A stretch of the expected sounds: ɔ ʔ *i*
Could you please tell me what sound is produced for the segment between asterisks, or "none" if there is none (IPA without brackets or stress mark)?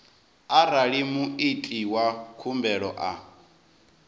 a